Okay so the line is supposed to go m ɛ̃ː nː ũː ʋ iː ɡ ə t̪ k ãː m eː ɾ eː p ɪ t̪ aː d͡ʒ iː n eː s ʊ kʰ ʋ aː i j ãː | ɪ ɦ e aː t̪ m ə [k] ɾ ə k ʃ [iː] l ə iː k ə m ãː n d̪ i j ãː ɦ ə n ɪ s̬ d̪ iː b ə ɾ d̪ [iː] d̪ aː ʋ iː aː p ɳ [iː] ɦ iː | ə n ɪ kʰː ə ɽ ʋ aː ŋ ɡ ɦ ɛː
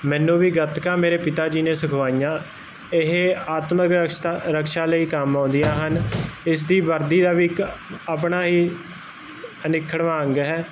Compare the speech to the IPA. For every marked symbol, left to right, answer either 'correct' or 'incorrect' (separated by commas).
correct, incorrect, correct, incorrect